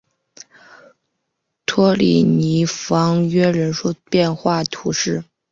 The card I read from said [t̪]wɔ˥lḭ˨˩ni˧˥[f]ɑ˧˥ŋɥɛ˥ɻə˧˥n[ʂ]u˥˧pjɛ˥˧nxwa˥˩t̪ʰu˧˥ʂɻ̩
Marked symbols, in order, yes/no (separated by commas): no, yes, yes